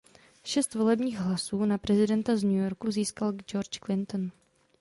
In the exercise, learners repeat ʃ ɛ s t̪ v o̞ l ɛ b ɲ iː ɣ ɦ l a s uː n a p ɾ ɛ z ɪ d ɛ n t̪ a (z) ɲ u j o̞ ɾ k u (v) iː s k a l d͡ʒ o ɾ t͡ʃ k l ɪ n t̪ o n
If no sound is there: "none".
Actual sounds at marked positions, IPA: z, z

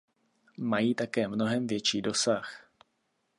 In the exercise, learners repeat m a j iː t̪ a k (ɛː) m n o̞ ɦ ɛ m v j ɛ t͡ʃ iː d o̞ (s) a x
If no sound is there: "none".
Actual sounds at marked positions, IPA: ɛː, s

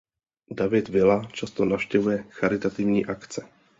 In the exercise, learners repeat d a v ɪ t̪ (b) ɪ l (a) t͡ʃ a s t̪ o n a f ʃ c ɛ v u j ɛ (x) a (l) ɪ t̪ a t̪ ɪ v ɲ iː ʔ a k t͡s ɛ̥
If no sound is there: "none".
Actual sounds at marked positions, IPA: v, a, x, ɾ

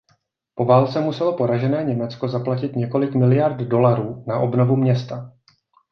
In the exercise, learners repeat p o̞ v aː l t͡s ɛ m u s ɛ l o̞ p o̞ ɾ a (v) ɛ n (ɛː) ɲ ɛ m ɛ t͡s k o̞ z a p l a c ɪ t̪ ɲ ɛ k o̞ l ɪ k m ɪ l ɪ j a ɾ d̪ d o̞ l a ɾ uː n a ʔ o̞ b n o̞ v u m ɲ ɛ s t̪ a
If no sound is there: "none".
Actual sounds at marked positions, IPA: ʒ, ɛː

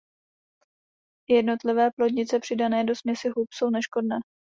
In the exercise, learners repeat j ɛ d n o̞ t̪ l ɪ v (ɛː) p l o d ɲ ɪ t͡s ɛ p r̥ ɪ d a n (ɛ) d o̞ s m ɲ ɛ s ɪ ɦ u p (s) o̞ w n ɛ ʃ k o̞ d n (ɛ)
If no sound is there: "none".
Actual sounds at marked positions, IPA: ɛː, ɛː, s, ɛː

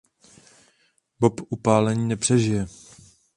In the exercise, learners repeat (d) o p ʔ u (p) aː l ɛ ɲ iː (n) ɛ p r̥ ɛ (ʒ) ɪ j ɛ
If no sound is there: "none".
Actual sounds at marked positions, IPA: b, p, n, ʒ

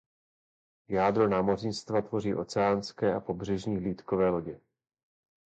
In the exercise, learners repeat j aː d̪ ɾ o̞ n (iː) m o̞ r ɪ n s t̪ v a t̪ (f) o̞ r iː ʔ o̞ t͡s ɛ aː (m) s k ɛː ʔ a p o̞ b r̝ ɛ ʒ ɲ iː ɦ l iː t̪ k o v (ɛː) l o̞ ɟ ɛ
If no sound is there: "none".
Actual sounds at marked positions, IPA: aː, v, n, ɛː

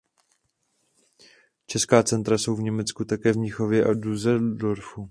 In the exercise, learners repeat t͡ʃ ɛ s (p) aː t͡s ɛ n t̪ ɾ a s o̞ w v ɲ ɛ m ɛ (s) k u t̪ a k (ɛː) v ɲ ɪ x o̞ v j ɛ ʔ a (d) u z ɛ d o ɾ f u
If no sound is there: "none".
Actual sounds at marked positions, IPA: k, t͡s, ɛː, d

